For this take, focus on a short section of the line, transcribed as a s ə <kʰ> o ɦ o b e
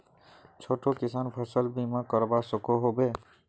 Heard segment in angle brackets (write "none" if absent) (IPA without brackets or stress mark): k